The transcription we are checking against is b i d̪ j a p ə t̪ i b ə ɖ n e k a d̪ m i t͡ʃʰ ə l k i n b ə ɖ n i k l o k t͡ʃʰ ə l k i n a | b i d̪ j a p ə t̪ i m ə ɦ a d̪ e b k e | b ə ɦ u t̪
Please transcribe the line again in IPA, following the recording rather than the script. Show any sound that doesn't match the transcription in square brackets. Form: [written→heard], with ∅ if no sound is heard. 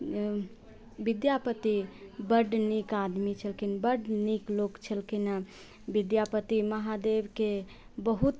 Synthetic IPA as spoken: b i d̪ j a p ə t̪ i b ə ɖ n [e→i] k a d̪ m i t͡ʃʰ ə l k i n b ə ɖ n i k l o k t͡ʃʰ ə l k i n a | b i d̪ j a p ə t̪ i m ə ɦ a d̪ e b k e | b ə ɦ u t̪